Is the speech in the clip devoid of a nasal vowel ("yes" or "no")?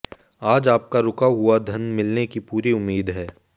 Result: yes